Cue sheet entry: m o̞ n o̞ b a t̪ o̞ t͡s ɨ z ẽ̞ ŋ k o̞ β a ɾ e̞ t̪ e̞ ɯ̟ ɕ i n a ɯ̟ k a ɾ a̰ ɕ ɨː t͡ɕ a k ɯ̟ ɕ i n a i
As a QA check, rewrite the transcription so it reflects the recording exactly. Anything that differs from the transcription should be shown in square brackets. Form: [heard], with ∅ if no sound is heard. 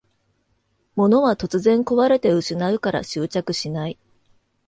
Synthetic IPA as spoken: m o̞ n o̞ [β] a t̪ o̞ t͡s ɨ z ẽ̞ ŋ k o̞ β a ɾ e̞ t̪ e̞ ɯ̟ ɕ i n a ɯ̟ k a ɾ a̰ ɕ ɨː t͡ɕ a k ɯ̟ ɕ i n a i